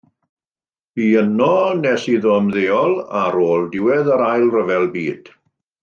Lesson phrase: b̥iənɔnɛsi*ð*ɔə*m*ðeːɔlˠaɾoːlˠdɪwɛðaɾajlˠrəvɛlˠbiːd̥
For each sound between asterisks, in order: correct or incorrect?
correct, correct

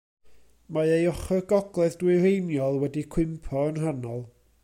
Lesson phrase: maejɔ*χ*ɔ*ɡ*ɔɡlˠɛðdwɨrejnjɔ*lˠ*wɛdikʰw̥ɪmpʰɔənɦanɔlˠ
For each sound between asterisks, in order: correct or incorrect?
correct, correct, correct

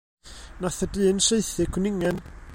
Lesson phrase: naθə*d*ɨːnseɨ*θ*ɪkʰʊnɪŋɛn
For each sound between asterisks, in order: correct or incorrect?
correct, correct

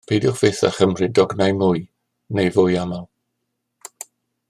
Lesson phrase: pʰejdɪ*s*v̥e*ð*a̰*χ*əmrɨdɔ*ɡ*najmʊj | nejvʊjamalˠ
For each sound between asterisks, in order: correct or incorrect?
incorrect: χ, incorrect: θ, correct, correct

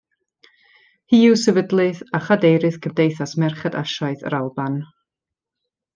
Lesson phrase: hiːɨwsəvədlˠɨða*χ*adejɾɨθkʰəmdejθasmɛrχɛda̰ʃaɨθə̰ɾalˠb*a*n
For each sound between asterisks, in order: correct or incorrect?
correct, correct

